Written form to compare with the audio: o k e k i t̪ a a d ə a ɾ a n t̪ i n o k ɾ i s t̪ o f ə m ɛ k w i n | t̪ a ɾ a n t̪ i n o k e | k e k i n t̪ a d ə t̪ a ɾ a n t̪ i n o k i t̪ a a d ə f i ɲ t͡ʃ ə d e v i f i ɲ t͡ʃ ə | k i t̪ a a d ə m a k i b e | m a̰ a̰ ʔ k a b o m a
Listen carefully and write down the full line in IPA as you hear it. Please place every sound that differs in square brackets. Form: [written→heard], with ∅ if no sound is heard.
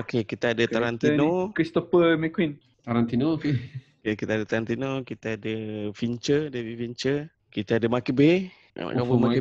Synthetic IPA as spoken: o k e k i t̪ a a d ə a ɾ a n t̪ i n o k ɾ i s t̪ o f ə m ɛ k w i n | t̪ a ɾ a n t̪ i n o k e | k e k i [n→∅] t̪ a d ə t̪ a ɾ a n t̪ i n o k i t̪ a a d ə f i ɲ t͡ʃ ə d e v i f i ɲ t͡ʃ ə | k i t̪ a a d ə m a k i b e | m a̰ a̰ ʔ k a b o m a